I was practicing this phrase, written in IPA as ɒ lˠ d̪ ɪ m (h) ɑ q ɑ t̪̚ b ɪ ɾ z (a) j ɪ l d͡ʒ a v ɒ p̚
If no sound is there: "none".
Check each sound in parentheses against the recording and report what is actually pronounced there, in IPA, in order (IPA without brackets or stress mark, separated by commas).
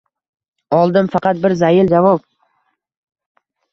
f, a